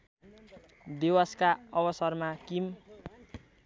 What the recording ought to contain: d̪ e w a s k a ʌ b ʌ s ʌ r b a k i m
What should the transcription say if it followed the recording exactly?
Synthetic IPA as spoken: d̪ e w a s k a ʌ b ʌ s ʌ r m a k i m

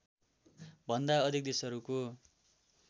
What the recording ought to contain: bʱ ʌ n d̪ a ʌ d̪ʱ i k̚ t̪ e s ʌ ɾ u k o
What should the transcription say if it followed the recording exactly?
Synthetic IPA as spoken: bʱ ʌ n d̪ a ʌ d̪ʱ i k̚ d̪ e s ʌ ɾ u k o

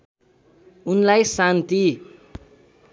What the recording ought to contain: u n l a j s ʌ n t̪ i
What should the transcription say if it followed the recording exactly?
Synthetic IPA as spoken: u n l a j s a n t̪ i

